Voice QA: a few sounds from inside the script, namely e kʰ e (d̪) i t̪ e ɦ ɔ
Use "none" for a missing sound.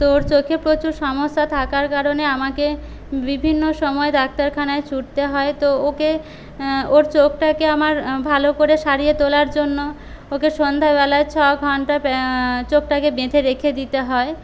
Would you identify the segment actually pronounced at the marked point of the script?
d̪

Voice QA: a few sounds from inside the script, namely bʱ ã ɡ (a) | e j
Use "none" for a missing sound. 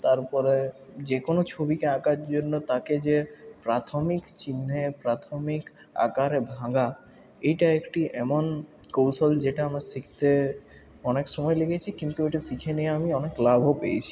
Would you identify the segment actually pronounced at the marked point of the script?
a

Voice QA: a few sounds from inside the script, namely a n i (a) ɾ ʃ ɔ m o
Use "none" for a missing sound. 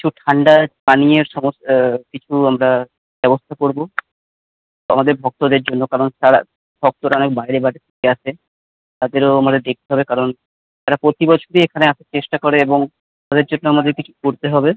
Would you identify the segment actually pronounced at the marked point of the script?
e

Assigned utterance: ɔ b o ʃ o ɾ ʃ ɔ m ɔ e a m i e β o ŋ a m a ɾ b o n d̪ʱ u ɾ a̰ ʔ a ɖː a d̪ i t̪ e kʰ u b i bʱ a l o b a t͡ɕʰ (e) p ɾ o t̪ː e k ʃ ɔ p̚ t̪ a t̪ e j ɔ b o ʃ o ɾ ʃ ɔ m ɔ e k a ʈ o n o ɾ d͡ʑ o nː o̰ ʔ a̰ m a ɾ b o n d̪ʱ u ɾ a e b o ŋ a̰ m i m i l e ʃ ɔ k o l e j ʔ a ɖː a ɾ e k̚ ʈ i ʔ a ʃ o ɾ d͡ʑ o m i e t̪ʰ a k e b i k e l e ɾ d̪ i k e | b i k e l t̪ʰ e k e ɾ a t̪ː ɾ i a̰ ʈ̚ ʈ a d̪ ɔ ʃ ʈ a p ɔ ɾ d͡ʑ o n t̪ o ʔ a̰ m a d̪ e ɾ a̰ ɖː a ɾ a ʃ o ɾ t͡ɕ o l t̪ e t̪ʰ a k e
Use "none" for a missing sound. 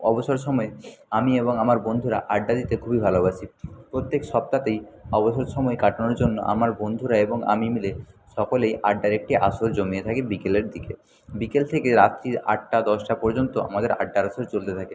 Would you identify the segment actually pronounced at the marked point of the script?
i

